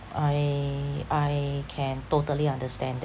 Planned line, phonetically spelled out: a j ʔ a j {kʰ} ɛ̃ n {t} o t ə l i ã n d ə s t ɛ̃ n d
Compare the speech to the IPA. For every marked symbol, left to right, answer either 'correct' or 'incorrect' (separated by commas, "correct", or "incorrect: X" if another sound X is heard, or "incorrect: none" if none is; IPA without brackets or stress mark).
correct, correct